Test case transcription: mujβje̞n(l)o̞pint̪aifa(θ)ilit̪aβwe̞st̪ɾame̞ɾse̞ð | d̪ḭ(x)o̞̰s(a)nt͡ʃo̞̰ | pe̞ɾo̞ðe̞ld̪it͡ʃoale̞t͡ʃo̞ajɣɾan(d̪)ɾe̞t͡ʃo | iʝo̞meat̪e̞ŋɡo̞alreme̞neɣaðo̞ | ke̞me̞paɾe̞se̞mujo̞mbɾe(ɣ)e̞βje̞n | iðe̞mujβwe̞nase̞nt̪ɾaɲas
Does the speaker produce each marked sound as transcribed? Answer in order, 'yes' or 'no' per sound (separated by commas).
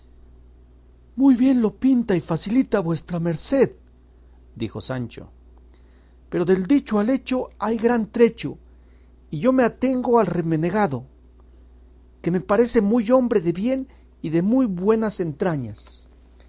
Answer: yes, no, yes, yes, no, no